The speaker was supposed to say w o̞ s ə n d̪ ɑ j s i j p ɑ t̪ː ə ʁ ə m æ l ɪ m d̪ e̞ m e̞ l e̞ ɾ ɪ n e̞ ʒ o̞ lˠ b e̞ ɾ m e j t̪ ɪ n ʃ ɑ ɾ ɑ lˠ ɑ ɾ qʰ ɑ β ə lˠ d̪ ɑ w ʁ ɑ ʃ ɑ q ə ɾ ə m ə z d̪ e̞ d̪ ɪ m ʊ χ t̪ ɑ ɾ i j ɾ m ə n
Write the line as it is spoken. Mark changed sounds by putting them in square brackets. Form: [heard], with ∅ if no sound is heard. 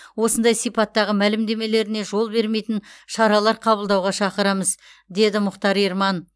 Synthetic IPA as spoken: w o̞ s ə n d̪ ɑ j s i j p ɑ t̪ː [ɑ] ʁ ə m æ l ɪ m d̪ e̞ m e̞ l e̞ ɾ ɪ n e̞ ʒ o̞ lˠ b e̞ ɾ m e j t̪ ɪ n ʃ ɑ ɾ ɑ lˠ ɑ ɾ qʰ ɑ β ə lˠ d̪ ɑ w ʁ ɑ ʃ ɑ q ə ɾ [ɑ] m ə z d̪ e̞ d̪ ɪ m ʊ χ t̪ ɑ ɾ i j ɾ m [ɑ] n